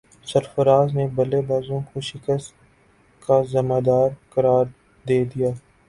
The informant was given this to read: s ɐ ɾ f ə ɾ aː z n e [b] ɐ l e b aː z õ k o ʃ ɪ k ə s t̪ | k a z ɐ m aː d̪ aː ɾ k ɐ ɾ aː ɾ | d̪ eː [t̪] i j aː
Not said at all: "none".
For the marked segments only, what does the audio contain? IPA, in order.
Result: b, d̪

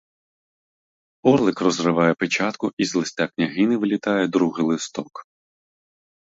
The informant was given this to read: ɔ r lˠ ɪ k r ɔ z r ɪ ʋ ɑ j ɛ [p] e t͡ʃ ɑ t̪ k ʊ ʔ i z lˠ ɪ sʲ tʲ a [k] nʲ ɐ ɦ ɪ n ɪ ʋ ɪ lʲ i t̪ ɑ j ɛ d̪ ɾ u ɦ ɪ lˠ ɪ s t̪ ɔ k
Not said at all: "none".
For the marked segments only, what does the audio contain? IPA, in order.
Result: p, k

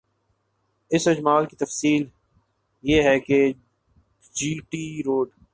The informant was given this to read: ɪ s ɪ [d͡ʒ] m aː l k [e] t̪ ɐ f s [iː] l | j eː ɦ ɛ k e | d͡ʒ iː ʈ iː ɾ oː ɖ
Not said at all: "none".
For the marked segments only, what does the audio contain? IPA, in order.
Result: d͡ʒ, i, iː

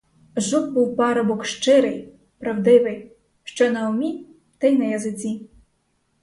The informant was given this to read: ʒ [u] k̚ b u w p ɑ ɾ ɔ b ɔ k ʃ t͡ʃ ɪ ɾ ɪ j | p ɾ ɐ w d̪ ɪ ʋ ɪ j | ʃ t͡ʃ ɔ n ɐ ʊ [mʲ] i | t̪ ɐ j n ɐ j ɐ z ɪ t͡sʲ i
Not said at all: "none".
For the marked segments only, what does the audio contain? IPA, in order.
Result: u, mʲ

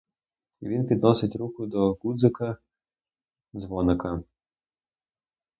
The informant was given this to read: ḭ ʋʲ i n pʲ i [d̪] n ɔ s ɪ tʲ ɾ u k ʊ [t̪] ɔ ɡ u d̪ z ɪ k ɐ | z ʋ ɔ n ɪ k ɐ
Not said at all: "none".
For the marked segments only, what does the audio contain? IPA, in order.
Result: d̪, d̪

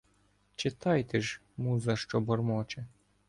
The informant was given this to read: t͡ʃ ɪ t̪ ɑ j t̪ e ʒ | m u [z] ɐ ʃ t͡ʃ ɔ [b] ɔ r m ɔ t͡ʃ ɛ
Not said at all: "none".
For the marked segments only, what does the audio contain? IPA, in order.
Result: z, b

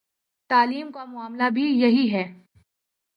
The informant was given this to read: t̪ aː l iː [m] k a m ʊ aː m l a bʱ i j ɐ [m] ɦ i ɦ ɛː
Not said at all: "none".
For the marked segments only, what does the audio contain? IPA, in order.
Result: m, none

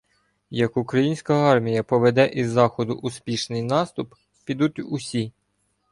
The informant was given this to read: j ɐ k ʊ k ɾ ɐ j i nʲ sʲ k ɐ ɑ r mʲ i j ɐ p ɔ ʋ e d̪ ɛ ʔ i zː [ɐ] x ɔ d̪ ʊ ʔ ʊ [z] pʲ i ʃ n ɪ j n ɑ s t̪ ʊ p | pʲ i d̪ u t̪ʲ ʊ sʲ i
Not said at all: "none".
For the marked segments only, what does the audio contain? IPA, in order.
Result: ɑ, s

